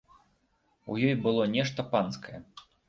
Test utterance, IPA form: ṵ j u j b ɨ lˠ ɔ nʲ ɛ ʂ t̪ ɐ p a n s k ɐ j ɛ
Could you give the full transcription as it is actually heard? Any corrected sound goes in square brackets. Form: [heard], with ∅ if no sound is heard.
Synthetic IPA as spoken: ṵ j [ɔ] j b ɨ lˠ ɔ nʲ ɛ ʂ t̪ ɐ p a n s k ɐ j ɛ